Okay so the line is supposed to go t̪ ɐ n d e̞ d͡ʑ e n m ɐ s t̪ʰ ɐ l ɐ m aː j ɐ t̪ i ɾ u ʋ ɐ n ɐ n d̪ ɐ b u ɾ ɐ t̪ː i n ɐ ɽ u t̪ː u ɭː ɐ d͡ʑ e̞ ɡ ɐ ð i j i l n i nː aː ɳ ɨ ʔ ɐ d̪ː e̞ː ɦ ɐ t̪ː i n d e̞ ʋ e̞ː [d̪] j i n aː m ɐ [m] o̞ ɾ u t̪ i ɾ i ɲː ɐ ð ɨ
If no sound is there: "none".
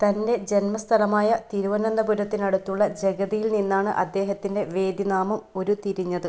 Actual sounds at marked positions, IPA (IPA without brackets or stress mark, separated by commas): d̪, m